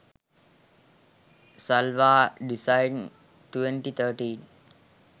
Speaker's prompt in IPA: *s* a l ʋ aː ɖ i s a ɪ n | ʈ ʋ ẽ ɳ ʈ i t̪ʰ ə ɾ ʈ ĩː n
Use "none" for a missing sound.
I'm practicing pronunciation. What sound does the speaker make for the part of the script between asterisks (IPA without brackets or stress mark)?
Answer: s